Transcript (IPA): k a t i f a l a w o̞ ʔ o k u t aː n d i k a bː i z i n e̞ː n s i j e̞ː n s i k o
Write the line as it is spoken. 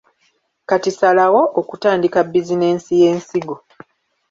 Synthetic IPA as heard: k a t i s a l a w o̞ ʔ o k u t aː n d i k a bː i z i n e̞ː n s i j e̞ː n s i ɡ o